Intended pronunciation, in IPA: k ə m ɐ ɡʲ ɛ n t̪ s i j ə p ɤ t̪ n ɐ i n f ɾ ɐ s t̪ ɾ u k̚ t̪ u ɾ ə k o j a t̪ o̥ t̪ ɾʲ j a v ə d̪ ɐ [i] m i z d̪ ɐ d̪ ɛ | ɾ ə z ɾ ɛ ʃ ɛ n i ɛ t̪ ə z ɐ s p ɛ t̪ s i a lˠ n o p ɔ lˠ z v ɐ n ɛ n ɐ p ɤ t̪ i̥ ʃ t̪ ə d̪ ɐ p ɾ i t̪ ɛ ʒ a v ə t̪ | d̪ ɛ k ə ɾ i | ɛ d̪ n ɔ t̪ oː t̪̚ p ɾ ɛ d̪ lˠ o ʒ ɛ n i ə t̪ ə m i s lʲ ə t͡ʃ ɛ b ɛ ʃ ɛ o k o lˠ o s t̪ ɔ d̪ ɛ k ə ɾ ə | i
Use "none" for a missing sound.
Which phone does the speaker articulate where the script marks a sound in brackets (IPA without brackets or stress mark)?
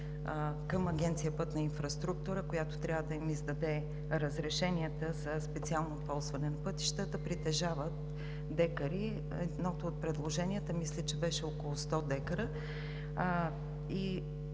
i